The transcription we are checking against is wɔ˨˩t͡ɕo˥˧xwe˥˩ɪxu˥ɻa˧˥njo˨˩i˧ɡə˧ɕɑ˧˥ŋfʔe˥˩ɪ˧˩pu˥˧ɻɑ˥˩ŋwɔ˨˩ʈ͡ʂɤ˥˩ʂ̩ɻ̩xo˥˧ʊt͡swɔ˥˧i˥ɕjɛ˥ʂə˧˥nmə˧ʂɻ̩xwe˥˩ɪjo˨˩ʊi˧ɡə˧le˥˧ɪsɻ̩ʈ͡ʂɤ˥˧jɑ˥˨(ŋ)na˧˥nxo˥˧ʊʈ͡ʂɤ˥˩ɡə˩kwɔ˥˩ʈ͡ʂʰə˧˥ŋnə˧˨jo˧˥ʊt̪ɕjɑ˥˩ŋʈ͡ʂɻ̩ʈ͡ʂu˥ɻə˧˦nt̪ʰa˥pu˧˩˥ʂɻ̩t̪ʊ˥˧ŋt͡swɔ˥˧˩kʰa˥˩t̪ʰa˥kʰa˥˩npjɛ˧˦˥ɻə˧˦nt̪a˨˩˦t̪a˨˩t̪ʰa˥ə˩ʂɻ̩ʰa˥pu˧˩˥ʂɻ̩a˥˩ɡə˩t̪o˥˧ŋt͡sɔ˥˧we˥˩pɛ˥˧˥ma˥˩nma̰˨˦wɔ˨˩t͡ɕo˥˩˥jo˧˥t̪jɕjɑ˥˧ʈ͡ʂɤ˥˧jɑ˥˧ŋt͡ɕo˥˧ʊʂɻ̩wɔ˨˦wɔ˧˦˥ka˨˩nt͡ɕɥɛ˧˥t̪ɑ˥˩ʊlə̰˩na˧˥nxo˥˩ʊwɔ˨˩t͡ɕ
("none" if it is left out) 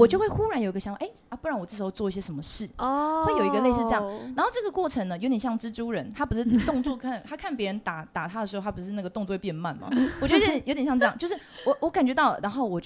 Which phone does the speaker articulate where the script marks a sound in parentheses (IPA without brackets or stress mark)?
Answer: ŋ